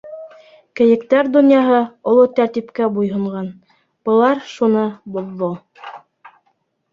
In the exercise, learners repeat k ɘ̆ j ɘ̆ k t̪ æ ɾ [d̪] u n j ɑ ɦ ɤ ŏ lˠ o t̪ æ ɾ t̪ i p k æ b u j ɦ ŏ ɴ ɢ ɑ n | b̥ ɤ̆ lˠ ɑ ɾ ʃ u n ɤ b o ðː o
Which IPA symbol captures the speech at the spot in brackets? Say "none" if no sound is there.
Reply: d̪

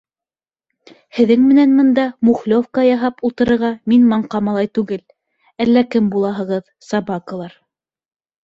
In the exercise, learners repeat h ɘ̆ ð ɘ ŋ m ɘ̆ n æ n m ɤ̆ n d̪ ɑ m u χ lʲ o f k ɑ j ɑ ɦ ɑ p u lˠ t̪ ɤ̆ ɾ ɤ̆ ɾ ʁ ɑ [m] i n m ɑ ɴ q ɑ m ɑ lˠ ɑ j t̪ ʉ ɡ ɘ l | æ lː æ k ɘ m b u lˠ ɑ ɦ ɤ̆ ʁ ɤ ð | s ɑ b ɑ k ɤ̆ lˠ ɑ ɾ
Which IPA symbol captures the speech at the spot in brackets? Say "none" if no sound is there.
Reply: m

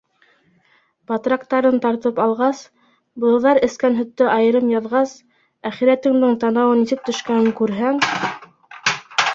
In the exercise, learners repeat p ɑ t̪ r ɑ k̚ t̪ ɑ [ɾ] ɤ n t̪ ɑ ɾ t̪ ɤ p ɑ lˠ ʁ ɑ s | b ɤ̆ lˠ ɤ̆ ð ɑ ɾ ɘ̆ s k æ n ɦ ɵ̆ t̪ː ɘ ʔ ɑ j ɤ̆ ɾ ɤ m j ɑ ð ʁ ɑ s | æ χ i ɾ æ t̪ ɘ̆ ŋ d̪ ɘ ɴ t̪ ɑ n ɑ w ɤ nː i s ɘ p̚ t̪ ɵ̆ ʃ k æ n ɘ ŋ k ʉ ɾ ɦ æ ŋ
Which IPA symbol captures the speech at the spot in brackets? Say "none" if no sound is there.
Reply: ɾ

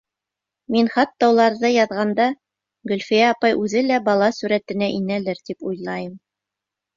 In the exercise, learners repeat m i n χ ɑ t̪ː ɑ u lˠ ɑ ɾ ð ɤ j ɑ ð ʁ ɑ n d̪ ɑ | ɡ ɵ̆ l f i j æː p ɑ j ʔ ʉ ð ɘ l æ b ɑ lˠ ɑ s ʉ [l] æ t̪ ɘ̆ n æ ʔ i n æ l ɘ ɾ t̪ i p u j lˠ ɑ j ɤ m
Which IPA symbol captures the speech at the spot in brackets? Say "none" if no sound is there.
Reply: ɾ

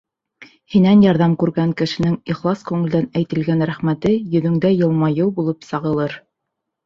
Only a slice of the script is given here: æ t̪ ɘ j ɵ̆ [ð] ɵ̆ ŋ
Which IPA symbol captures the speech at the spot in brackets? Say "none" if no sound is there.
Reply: ð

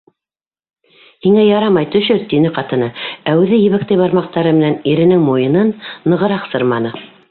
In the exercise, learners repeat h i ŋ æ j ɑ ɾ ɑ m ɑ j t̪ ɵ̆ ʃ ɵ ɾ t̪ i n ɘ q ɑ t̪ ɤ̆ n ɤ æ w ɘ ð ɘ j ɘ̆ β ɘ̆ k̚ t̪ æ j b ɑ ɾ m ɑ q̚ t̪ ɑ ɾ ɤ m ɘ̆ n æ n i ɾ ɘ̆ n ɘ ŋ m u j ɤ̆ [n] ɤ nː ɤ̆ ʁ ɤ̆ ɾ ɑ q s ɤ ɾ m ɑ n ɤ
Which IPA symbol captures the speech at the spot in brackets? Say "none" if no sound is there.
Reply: n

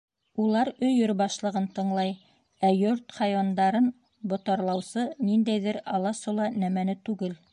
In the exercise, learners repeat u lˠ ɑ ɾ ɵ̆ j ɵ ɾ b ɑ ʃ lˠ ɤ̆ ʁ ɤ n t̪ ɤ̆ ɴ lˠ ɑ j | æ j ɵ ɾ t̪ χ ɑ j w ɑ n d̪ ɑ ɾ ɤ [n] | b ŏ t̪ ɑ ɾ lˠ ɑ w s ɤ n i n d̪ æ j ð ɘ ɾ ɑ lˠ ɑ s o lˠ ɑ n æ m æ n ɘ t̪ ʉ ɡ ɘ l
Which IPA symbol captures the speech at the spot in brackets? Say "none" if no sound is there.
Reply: n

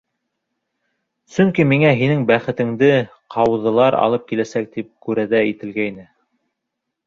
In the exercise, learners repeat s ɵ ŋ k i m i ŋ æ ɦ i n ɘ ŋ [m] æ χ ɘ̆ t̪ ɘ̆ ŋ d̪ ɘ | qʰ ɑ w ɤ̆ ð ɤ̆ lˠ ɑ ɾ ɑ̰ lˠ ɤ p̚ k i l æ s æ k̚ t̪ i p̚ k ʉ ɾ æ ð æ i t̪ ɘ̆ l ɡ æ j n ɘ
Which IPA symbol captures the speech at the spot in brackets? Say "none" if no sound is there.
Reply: b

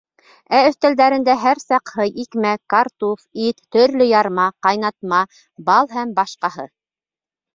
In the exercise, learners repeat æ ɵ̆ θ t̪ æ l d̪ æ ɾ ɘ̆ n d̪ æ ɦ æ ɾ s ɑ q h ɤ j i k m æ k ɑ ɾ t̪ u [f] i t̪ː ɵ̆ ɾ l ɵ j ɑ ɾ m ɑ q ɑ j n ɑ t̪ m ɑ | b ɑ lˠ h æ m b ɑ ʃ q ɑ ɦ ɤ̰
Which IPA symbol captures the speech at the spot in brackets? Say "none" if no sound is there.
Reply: f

